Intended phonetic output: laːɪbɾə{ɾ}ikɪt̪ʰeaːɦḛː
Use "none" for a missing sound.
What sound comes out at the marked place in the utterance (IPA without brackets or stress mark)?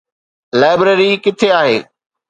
ɾ